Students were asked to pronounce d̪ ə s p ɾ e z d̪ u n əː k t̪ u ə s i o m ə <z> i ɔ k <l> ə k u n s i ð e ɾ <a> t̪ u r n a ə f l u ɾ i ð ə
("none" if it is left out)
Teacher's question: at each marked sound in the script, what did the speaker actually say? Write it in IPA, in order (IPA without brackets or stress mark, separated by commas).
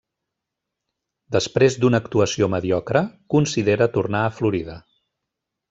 ð, ɾ, ə